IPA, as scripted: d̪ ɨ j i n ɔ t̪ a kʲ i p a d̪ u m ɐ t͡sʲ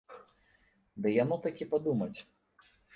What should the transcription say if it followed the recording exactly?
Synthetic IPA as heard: d̪ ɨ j a n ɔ t̪ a kʲ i p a d̪ u m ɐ t͡sʲ